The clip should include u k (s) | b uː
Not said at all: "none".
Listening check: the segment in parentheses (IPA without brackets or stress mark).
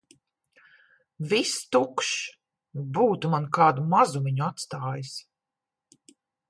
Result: ʃ